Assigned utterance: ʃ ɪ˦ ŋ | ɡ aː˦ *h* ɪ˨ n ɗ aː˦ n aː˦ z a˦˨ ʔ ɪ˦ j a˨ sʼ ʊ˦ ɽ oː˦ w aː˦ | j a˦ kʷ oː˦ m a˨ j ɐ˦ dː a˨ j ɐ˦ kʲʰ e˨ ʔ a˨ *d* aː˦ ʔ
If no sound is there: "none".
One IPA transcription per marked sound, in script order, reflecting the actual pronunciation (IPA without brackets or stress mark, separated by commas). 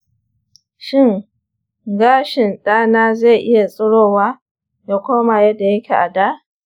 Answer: ʃ, d